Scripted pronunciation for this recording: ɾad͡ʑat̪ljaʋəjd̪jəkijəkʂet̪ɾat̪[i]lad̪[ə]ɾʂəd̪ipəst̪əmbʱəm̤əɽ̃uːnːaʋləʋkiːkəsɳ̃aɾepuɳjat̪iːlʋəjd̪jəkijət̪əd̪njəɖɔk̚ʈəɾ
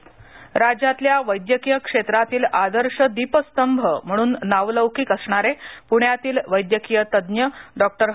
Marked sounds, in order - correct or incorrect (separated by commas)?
incorrect, correct